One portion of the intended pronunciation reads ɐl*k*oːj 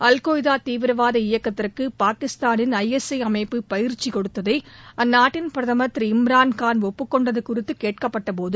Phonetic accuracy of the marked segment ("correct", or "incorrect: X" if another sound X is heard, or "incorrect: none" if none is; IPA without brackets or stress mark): correct